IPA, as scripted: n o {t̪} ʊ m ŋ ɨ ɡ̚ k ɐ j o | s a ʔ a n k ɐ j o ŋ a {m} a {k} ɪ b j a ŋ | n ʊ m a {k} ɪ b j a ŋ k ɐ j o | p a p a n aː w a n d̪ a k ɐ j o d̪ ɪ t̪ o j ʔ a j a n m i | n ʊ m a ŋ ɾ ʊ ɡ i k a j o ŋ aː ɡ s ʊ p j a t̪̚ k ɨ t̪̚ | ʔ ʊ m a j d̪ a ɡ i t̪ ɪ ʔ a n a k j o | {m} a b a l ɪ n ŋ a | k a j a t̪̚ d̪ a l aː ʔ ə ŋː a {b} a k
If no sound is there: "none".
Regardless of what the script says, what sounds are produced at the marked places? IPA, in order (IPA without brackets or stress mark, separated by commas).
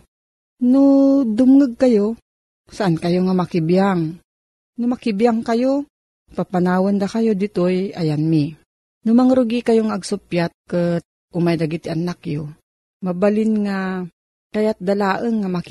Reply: d̪, m, k, k, m, m